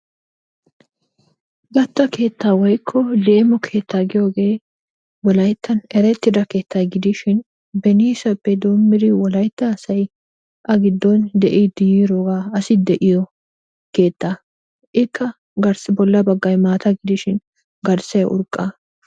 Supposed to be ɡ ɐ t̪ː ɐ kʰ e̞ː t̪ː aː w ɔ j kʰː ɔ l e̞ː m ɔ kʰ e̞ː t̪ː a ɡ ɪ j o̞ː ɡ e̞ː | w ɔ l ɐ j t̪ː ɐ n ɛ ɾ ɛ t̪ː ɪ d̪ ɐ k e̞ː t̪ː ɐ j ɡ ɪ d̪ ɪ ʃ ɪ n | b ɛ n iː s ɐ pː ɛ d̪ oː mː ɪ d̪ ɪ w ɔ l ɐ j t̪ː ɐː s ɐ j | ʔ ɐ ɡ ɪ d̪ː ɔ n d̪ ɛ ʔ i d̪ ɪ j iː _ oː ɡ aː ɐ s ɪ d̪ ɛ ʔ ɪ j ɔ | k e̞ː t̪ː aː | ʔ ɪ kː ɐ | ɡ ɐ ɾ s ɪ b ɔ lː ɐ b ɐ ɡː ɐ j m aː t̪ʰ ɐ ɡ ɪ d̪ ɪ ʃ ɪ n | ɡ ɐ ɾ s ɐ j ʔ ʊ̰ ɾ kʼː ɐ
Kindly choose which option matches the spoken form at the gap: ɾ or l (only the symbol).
ɾ